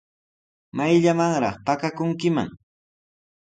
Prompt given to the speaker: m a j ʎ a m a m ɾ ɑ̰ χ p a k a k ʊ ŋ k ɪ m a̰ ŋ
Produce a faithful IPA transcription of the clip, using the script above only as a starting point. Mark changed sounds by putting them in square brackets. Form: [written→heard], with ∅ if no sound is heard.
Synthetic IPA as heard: m a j ʎ a m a [m→ŋ] ɾ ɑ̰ χ p a k a k ʊ ŋ k ɪ m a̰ ŋ